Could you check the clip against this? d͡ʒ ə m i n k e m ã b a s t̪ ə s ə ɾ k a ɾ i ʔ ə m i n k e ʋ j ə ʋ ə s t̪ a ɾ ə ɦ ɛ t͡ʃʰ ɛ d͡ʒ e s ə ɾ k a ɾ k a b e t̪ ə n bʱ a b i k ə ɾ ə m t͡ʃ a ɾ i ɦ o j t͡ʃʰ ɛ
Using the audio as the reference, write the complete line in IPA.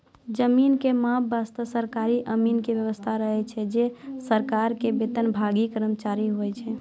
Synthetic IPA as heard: d͡ʒ ə m i n k e m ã b a s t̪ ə s ə ɾ k a ɾ i ʔ ə m i n k e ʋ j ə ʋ ə s t̪ʰ a ɾ ə ɦ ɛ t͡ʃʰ ɛ d͡ʒ e s ə ɾ k a ɾ k e b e t̪ ə n bʱ a ɡ i k ə ɾ ə m t͡ʃ a ɾ i ɦ o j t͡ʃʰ ɛ